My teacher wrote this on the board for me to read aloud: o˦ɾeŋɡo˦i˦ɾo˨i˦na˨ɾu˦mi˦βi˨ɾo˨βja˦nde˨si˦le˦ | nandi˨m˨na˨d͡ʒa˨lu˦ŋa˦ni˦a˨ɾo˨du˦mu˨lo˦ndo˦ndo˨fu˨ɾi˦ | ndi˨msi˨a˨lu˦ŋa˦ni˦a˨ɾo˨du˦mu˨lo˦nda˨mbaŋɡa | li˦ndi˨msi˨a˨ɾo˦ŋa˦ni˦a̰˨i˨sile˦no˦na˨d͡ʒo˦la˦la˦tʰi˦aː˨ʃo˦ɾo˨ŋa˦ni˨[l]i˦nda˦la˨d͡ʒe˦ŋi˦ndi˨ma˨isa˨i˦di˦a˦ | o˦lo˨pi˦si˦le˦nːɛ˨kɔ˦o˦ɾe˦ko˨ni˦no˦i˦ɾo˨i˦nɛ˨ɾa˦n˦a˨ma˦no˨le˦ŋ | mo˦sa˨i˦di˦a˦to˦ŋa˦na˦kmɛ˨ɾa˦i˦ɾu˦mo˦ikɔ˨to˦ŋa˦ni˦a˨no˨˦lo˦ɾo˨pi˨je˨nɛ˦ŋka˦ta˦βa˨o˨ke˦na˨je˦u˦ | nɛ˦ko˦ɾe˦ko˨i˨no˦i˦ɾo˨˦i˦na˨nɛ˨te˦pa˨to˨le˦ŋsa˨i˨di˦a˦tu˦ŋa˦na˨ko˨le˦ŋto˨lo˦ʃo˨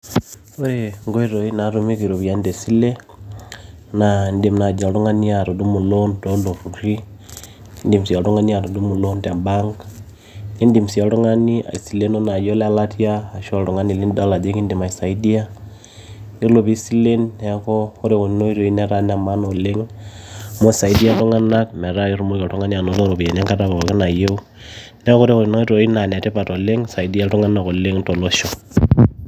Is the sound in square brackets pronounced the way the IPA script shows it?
yes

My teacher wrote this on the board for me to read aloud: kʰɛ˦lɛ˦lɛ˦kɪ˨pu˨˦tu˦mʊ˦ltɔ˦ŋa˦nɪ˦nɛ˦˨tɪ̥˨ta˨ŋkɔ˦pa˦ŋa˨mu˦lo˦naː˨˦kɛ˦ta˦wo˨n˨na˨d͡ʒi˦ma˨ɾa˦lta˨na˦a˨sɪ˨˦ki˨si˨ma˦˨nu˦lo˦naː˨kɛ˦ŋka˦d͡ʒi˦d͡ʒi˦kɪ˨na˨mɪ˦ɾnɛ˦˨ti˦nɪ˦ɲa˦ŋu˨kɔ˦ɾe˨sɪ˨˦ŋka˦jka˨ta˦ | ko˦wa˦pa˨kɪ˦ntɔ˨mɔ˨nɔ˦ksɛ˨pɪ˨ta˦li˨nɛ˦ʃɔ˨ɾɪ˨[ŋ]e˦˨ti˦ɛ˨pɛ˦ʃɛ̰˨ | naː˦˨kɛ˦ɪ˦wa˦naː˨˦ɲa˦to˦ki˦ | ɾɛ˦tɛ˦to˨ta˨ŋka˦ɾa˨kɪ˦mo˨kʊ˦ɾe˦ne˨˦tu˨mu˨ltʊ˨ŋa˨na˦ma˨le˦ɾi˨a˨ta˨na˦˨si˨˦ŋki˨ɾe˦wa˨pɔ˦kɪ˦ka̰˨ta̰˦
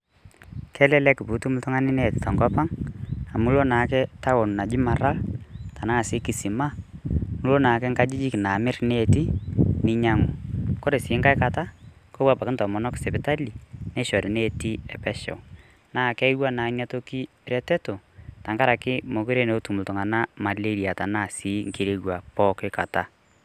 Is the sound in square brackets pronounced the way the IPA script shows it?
no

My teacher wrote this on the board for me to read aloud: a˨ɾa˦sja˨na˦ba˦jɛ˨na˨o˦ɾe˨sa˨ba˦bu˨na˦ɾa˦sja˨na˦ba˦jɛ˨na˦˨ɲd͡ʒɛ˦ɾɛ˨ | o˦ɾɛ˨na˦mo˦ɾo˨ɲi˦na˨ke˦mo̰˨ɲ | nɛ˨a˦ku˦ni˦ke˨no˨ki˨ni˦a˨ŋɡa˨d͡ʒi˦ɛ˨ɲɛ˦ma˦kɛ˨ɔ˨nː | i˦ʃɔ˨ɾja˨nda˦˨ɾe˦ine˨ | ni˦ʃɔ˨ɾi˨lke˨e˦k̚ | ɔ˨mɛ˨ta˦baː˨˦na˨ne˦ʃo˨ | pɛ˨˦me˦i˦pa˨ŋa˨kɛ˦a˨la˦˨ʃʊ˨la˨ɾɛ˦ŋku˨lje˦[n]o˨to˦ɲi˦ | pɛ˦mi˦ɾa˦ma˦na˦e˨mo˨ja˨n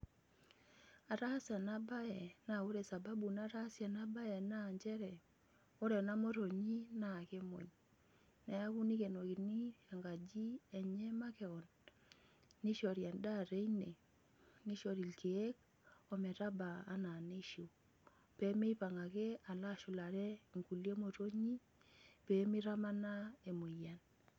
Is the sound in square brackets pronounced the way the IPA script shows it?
no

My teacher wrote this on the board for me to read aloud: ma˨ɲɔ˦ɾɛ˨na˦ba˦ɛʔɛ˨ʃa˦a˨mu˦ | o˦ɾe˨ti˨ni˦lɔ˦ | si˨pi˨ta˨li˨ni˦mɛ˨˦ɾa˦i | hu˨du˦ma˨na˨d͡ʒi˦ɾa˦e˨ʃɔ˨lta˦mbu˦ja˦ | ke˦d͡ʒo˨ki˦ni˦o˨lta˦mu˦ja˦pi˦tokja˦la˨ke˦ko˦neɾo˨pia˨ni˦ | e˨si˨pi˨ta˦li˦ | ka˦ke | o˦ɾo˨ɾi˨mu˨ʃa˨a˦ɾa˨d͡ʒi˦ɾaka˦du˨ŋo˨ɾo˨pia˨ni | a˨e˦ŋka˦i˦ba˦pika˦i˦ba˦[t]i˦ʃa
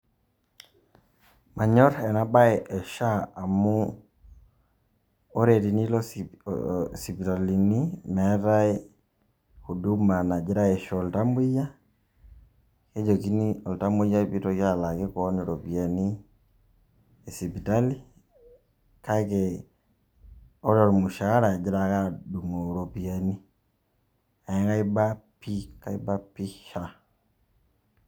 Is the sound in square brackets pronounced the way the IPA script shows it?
no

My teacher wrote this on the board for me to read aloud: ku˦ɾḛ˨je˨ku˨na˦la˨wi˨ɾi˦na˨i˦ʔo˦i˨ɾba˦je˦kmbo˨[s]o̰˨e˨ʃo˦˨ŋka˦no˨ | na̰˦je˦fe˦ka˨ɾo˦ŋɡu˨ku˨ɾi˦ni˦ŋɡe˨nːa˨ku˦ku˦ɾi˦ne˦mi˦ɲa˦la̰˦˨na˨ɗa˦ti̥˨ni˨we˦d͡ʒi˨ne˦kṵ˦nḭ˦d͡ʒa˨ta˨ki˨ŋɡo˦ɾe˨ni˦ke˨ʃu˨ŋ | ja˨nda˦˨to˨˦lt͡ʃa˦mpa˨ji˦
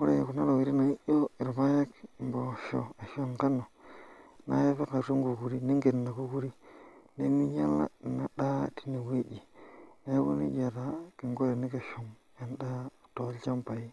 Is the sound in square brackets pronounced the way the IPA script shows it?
no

